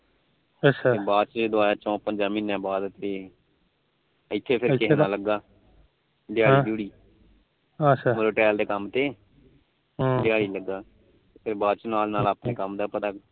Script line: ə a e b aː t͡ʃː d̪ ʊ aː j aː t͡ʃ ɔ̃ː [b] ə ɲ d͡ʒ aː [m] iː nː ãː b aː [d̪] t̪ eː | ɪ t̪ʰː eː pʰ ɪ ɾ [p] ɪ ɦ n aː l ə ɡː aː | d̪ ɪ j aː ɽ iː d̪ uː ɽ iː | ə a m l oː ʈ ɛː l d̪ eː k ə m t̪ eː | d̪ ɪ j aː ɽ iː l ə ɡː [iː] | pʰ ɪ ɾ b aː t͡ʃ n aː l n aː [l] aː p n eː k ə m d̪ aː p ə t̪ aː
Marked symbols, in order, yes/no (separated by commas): no, yes, yes, no, no, yes